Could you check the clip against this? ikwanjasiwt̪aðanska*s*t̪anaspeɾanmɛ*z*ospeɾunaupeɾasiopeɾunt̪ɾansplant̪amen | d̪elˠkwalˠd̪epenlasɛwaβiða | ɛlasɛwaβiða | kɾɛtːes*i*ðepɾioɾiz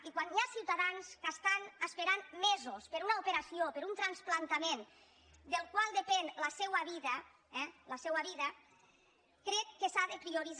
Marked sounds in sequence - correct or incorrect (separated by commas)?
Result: correct, correct, incorrect